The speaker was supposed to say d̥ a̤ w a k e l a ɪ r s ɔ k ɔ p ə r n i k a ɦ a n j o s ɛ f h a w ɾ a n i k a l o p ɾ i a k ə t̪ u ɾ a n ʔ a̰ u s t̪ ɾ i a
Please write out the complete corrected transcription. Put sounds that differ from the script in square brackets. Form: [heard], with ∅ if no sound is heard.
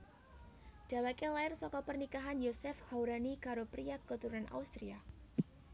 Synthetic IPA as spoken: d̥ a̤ w a k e l a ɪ r s ɔ k ɔ p ə r n i k a ɦ a n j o s ɛ f h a w ɾ a n i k a [ɾ] o p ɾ i a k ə t̪ u ɾ a n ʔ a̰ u s t̪ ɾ i a